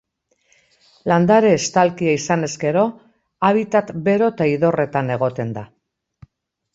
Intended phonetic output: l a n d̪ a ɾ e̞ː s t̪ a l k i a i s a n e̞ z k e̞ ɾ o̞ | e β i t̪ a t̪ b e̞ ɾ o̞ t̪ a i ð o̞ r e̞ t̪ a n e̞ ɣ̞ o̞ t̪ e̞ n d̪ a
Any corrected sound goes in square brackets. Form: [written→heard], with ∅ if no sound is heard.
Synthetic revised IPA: l a n d̪ a ɾ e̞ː s t̪ a l k i a i s a n e̞ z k e̞ ɾ o̞ | [e→a] β i t̪ a t̪ b e̞ ɾ o̞ t̪ a i ð o̞ r e̞ t̪ a n e̞ ɣ̞ o̞ t̪ e̞ n d̪ a